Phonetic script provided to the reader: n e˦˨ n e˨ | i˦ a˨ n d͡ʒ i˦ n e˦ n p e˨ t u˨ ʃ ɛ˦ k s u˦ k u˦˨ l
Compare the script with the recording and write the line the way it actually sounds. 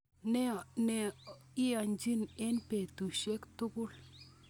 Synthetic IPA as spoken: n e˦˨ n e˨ | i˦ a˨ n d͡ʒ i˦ n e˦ n p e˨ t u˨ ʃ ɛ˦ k t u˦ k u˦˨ l